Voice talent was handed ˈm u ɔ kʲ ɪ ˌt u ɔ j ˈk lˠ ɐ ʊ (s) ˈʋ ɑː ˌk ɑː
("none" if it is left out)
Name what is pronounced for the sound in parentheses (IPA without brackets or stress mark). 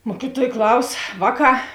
s